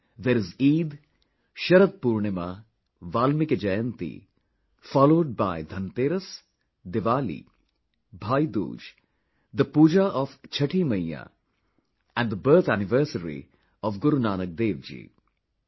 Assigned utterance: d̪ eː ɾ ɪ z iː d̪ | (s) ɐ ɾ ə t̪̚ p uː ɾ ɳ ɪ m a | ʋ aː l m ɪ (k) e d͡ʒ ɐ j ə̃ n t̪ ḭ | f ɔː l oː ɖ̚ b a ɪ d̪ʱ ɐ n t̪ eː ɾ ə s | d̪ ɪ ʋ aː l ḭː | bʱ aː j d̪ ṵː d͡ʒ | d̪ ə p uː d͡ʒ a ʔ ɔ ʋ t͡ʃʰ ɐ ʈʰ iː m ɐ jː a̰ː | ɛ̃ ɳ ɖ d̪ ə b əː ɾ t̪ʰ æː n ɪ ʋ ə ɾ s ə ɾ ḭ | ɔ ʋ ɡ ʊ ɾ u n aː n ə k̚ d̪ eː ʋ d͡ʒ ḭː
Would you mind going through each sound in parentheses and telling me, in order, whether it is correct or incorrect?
incorrect: ʃ, correct

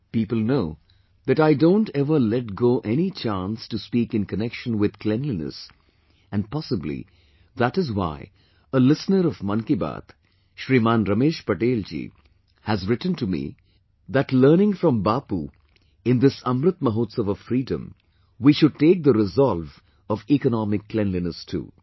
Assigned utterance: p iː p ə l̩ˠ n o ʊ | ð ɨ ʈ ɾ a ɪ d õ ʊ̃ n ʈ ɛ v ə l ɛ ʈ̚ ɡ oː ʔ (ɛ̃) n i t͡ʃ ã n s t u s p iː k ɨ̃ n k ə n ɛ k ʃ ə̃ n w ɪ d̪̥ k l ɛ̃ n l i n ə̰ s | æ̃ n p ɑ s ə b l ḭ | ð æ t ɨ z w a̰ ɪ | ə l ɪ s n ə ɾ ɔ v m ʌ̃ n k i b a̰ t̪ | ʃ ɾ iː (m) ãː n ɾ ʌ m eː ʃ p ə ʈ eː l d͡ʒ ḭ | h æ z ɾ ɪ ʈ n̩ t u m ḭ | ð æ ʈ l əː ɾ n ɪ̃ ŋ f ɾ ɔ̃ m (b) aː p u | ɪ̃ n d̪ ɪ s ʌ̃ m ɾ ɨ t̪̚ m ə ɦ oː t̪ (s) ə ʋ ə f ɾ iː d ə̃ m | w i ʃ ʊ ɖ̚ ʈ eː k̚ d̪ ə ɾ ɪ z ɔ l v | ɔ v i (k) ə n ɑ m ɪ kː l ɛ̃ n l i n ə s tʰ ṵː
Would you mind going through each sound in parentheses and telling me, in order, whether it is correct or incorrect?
incorrect: ɛ, correct, correct, correct, correct

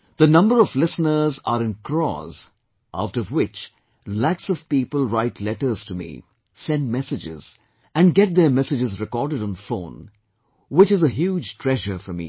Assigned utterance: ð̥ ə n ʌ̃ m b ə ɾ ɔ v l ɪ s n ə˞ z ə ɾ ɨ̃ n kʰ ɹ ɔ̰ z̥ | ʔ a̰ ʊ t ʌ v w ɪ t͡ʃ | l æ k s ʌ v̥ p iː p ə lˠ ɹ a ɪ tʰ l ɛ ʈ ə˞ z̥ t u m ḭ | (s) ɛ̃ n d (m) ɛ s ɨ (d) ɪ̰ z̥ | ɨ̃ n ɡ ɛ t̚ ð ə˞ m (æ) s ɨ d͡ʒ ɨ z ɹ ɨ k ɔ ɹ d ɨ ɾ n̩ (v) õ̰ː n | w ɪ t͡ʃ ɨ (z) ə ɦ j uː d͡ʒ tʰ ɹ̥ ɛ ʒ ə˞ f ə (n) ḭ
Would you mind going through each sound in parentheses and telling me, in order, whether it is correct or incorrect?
correct, correct, incorrect: d͡ʒ, incorrect: ɛ, incorrect: f, correct, incorrect: m

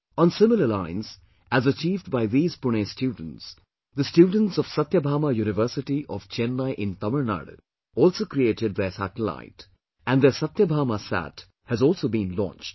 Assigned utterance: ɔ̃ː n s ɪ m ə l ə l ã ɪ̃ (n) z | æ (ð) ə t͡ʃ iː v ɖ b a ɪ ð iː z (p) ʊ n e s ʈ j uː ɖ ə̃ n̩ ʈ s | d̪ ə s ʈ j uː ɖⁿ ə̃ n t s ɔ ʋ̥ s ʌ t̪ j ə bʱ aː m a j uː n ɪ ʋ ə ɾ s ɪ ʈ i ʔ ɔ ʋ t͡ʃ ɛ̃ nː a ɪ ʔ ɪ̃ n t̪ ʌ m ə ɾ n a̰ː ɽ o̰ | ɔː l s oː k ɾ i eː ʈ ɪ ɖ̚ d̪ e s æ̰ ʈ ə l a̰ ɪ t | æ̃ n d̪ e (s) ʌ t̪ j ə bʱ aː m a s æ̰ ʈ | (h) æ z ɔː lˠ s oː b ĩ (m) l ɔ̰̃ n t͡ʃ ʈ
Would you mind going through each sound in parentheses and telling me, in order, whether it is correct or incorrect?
correct, incorrect: z, correct, correct, correct, incorrect: n

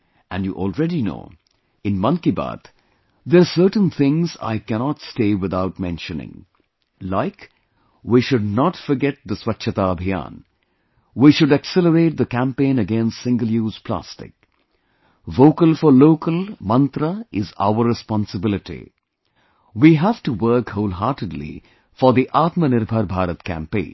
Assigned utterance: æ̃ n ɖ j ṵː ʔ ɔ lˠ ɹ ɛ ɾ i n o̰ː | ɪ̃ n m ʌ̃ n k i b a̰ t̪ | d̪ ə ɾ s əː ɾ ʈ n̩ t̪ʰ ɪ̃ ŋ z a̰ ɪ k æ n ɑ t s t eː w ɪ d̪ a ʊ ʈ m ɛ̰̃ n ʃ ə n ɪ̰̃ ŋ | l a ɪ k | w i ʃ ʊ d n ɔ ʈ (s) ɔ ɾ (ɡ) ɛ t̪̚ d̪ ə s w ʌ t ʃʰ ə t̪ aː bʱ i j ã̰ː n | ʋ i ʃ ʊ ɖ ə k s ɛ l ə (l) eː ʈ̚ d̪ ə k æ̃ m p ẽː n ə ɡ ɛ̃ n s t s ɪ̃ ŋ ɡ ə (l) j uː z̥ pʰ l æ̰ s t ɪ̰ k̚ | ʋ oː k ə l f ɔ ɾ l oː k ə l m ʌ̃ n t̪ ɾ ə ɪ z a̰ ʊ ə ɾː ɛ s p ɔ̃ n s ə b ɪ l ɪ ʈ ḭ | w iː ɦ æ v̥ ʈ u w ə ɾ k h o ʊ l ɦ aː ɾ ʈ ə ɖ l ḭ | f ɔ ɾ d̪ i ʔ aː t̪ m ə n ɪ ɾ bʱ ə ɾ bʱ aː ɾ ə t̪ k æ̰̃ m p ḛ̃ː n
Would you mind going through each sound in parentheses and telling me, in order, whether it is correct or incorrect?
incorrect: f, correct, incorrect: ɾ, correct

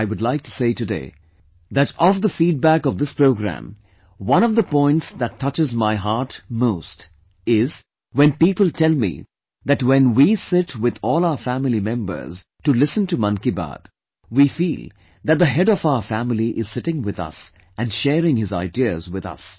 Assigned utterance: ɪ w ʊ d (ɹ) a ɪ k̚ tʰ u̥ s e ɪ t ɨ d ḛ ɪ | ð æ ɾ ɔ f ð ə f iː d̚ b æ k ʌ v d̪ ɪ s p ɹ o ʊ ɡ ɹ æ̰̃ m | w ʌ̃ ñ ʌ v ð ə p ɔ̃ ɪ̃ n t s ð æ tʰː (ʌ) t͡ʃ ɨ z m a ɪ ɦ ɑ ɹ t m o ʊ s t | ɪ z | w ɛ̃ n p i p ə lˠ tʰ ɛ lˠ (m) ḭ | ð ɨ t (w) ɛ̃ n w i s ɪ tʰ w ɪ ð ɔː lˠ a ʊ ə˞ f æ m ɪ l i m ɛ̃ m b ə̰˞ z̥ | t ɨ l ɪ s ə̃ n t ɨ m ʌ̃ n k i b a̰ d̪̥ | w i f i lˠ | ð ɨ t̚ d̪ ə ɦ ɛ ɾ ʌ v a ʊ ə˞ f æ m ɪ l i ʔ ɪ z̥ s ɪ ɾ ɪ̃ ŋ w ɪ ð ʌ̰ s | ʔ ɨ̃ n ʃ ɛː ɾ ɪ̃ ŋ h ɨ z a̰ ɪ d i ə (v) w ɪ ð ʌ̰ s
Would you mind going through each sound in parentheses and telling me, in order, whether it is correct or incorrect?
incorrect: l, correct, correct, correct, incorrect: z

